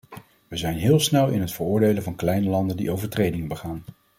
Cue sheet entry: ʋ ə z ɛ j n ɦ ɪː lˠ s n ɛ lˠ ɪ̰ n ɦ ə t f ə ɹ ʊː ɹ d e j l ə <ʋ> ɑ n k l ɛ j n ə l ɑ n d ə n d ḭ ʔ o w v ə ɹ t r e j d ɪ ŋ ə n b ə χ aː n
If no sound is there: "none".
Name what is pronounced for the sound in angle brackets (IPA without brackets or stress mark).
v